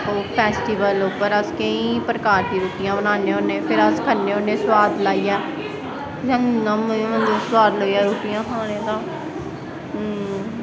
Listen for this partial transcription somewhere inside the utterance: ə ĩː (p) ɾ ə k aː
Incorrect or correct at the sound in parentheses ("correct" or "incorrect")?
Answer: correct